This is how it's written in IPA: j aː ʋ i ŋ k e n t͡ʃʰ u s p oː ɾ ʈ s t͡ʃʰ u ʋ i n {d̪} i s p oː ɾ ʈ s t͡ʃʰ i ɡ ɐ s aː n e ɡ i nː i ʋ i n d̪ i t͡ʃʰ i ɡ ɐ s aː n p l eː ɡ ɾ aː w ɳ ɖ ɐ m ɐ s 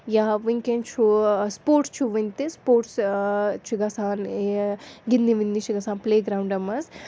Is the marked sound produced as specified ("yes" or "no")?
no